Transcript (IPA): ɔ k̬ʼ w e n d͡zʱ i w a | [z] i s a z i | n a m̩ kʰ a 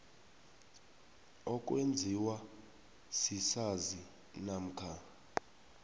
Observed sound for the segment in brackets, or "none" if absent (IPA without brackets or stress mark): s